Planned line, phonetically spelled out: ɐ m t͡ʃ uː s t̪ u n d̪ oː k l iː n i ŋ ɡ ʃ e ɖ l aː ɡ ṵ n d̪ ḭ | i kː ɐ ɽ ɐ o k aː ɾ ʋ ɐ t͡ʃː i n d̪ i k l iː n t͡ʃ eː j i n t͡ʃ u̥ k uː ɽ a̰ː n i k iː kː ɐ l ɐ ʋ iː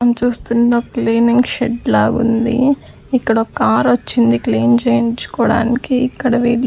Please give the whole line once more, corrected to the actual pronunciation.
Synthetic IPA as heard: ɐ m t͡ʃ uː s t̪ u n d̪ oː k l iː n i ŋ ɡ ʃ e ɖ l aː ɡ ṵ n d̪ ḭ | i kː ɐ ɽ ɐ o k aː ɾ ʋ ɐ t͡ʃː i n d̪ i k l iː n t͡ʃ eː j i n t͡ʃ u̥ k ɔː ɽ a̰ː n i k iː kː ɐ ɽ ɐ ʋ iː

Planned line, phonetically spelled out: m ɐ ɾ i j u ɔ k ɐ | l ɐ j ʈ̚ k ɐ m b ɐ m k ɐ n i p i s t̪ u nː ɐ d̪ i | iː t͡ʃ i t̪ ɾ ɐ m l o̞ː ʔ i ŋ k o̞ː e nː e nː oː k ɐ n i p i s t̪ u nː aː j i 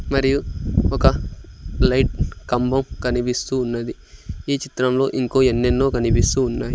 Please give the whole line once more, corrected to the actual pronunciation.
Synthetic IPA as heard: m ɐ ɾ i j u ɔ k ɐ | l ɐ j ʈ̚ k ɐ m b ɐ m k ɐ n i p i s t̪ uː nː ɐ d̪ i | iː t͡ʃ i t̪ ɾ ɐ m l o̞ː ʔ i ŋ k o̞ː e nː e nː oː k ɐ n i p i s t̪ uː nː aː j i

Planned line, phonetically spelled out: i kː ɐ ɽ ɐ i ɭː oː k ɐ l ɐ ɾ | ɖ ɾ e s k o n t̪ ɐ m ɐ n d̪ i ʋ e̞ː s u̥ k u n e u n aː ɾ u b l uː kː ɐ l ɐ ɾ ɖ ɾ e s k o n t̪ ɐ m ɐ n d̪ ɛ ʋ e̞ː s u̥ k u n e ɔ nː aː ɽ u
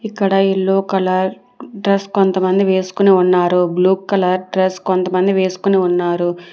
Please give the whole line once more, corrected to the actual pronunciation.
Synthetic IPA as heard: i kː ɐ ɽ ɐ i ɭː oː k ɐ l ɐ ɾ | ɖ ɾ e s k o n t̪ ɐ m ɐ n d̪ i ʋ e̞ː s u̥ k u n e u nː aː ɾ u b l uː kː ɐ l ɐ ɾ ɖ ɾ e s k o n t̪ ɐ m ɐ n d̪ i ʋ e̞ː s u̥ k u n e u nː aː ɾ u

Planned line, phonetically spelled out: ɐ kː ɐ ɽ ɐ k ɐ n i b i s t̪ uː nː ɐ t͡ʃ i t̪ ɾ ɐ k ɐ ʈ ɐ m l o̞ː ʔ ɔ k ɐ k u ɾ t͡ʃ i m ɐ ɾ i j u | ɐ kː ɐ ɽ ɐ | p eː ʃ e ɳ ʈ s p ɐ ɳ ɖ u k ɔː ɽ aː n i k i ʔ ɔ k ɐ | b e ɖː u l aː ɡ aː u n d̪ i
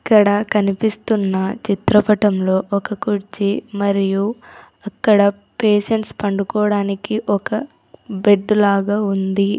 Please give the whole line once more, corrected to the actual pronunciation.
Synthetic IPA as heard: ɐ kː ɐ ɽ ɐ k ɐ n i p i s t̪ u nː ɐ t͡ʃ i t̪ ɾ ɐ p ɐ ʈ ɐ m l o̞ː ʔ ɔ k ɐ k u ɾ t͡ʃ i m ɐ ɾ i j u | ɐ kː ɐ ɽ ɐ | p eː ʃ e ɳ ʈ s p ɐ ɳ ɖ u k ɔː ɽ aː n i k i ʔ ɔ k ɐ | b e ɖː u l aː ɡ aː u n d̪ i

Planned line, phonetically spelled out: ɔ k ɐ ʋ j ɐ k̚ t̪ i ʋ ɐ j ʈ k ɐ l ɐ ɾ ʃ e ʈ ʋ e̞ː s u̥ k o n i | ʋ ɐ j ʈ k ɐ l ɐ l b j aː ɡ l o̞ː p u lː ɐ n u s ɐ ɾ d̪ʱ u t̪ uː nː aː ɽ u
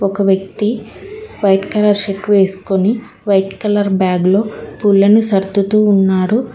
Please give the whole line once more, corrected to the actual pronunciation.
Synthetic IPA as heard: ɔ k ɐ ʋ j ɐ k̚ t̪ i ʋ ɐ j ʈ k ɐ l ɐ ɾ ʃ e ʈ ʋ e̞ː s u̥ k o n i | ʋ ɐ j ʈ k ɐ l ɐ ɾ b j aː ɡ l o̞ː p u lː ɐ n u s ɐ ɾ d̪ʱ u t̪ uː nː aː ɽ u

